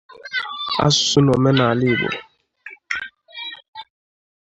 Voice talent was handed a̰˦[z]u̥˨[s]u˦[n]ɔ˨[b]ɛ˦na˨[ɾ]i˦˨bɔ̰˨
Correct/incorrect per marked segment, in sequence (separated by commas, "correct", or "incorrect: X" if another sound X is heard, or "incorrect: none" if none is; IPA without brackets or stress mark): incorrect: s, correct, correct, incorrect: m, incorrect: l